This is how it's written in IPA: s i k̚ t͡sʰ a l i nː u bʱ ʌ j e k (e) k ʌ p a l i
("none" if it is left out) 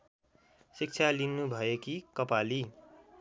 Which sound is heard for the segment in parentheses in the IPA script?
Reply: i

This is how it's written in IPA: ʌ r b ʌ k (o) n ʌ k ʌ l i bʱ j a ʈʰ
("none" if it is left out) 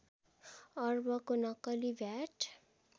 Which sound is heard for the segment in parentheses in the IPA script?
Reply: o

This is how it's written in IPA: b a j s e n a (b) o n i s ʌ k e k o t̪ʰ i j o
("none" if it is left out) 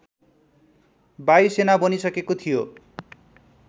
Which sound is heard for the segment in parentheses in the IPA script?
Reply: b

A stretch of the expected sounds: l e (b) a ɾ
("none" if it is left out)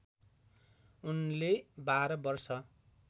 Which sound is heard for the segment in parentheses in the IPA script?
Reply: b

